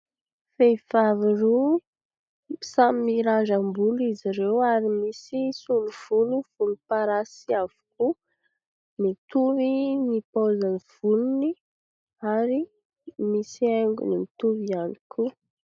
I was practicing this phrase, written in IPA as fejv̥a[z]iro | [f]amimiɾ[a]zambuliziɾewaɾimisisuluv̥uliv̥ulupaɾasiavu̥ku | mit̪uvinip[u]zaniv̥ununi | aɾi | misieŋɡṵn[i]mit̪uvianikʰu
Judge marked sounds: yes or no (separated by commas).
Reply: no, no, yes, no, yes